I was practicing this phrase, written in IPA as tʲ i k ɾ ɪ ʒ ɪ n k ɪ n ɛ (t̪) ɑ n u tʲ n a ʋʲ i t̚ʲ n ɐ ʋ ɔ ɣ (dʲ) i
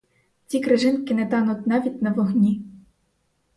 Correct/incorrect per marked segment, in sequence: correct, incorrect: nʲ

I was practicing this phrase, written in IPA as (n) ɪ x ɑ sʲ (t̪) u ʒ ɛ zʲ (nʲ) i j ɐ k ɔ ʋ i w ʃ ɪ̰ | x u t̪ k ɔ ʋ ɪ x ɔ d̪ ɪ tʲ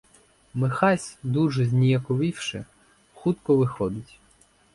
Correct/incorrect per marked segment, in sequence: incorrect: m, incorrect: d̪, correct

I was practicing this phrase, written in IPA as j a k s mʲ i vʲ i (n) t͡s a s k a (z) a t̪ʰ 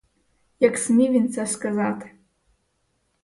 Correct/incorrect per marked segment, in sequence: correct, correct

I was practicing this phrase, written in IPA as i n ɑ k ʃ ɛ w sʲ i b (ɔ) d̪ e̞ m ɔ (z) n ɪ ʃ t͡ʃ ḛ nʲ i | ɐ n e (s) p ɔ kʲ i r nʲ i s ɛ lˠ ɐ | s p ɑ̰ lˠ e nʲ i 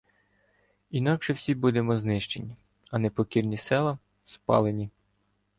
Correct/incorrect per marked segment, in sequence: incorrect: u, correct, incorrect: none

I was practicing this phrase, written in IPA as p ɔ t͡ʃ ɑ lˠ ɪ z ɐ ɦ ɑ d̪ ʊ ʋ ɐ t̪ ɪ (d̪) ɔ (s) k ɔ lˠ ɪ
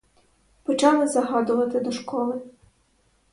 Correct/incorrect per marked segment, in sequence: correct, incorrect: ʃ

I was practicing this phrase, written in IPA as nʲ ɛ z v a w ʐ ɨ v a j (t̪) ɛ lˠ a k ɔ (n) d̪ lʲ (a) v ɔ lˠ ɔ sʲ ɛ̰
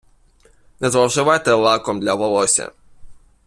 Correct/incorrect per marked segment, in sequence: correct, incorrect: m, correct

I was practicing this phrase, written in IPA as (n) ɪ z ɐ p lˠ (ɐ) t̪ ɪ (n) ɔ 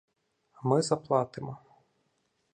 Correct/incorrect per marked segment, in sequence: incorrect: m, incorrect: ɑ, incorrect: m

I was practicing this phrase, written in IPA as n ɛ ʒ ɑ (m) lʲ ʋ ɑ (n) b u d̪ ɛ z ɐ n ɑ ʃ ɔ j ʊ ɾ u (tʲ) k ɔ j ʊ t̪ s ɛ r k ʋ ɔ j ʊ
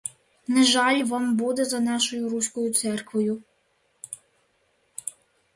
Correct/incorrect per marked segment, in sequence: incorrect: none, incorrect: m, incorrect: sʲ

